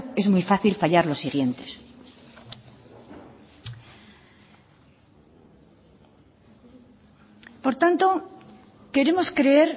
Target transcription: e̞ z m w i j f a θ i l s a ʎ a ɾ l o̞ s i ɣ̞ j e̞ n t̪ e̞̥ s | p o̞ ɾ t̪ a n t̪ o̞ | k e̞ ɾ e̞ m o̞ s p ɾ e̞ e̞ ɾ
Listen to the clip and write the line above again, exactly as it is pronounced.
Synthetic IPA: e̞ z m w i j f a θ i l f a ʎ a ɾ l o̞ s i ɣ̞ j e̞ n t̪ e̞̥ s | p o̞ ɾ t̪ a n t̪ o̞ | k e̞ ɾ e̞ m o̞ s k ɾ e̞ e̞ ɾ

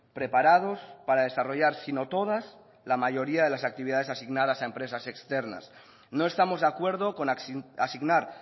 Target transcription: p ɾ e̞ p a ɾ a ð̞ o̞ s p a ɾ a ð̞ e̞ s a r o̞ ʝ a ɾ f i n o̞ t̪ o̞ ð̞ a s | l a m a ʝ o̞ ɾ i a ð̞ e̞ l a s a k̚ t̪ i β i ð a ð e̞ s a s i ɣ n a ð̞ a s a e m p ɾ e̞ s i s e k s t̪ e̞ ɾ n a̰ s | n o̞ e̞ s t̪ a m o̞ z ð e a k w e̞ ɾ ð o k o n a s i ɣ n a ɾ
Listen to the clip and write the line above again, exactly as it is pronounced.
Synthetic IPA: p ɾ e̞ p a ɾ a ð̞ o̞ s p a ɾ a ð̞ e̞ s a r o̞ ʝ a ɾ s i n o̞ t̪ o̞ ð̞ a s | l a m a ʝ o̞ ɾ i a ð̞ e̞ l a s a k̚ t̪ i β i ð a ð e̞ s a s i ɣ n a ð̞ a s a e m p ɾ e̞ s a s e k s t̪ e̞ ɾ n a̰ s | n o̞ e̞ s t̪ a m o̞ z ð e a k w e̞ ɾ ð o k o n a s i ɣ n a ɾ

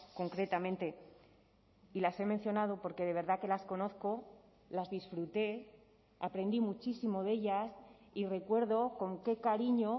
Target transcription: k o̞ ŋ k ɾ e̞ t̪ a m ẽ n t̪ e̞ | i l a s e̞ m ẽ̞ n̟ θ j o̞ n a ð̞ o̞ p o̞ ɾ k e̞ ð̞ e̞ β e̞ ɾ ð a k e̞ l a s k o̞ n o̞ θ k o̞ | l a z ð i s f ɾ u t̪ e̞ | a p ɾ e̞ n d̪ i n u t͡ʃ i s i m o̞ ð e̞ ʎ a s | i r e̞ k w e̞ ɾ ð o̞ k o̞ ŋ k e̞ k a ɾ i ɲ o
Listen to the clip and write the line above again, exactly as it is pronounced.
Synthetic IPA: k o̞ ŋ k ɾ e̞ t̪ a m ẽ n t̪ e̞ | i l a s e̞ m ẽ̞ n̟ θ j o̞ n a ð̞ o̞ p o̞ ɾ k e̞ ð̞ e̞ β e̞ ɾ ð a k e̞ l a s k o̞ n o̞ θ k o̞ | l a z ð i s f ɾ u t̪ e̞ | a p ɾ e̞ n d̪ i m u t͡ʃ i s i m o̞ ð e̞ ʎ a s | i r e̞ k w e̞ ɾ ð o̞ k o̞ ŋ k e̞ k a ɾ i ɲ o

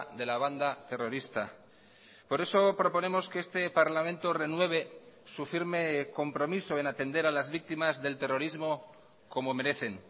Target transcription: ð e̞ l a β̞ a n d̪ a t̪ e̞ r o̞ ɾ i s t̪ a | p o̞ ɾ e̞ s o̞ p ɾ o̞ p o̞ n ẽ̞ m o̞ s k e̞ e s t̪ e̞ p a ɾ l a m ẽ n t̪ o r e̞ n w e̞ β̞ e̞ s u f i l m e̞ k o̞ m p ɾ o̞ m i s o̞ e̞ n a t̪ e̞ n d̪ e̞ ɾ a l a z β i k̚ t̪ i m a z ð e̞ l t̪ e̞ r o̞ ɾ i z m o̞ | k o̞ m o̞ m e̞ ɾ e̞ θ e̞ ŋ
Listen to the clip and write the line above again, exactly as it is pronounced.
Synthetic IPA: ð e̞ l a β̞ a n d̪ a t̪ e̞ r o̞ ɾ i s t̪ a | p o̞ ɾ e̞ s o̞ p ɾ o̞ p o̞ n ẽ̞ m o̞ s k e̞ e s t̪ e̞ p a ɾ l a m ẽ n t̪ o r e̞ n w e̞ β̞ e̞ s u f i ɾ m e̞ k o̞ m p ɾ o̞ m i s o̞ e̞ n a t̪ e̞ n d̪ e̞ ɾ a l a z β i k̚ t̪ i m a z ð e̞ l t̪ e̞ r o̞ ɾ i z m o̞ | k o̞ m o̞ m e̞ ɾ e̞ θ e̞ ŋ

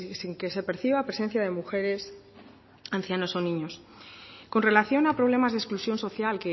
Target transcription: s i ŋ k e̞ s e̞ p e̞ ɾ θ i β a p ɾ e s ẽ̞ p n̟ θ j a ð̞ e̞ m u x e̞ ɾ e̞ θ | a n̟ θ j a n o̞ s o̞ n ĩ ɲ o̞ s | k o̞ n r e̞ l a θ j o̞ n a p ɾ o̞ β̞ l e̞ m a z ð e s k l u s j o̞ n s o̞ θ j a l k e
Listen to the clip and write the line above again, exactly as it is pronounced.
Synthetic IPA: s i ŋ k e̞ s e̞ p e̞ ɾ θ i β a p ɾ e s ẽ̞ n̟ θ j a ð̞ e̞ m u x e̞ ɾ e̞ s | a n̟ θ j a n o̞ s o̞ n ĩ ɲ o̞ s | k o̞ n r e̞ l a θ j o̞ n a p ɾ o̞ β̞ l e̞ m a z ð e s k l u s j o̞ n s o̞ θ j a l k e

